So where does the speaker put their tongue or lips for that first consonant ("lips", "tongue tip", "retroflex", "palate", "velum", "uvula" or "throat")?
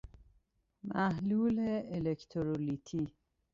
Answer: lips